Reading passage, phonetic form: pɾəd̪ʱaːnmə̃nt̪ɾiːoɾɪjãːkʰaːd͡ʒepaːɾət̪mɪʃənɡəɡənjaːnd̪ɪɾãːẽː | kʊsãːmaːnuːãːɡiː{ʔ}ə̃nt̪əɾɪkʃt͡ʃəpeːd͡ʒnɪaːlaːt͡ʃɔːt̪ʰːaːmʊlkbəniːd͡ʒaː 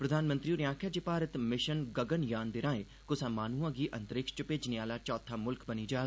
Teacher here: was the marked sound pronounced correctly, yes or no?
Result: yes